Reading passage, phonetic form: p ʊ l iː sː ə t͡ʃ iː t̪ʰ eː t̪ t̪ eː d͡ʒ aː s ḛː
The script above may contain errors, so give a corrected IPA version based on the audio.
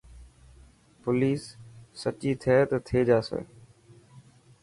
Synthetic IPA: p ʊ l iː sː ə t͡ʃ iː t̪ʰ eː t̪ t̪ʰ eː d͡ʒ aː s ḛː